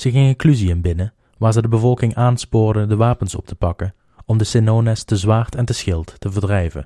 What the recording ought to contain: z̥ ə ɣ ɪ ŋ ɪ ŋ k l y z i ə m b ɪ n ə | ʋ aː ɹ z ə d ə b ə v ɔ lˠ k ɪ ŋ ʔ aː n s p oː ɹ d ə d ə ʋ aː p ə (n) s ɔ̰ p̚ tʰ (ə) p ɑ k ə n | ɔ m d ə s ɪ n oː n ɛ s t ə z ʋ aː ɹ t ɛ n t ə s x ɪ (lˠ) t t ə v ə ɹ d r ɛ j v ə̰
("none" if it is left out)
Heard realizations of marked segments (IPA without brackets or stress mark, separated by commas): n, ə, lˠ